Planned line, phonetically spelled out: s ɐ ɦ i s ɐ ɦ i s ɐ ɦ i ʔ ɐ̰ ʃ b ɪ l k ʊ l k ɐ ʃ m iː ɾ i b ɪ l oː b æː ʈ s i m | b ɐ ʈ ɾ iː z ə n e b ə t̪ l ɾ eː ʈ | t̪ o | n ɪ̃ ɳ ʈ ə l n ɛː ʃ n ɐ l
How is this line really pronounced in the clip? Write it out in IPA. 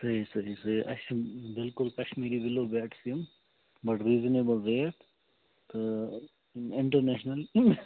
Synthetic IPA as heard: s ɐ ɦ i s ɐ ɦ i s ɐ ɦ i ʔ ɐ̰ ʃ b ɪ l k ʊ l k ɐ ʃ m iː ɾ i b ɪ l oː b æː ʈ s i m | b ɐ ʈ ɾ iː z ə n e b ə l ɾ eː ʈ | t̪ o | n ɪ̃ ɳ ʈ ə ɾ n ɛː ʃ n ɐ l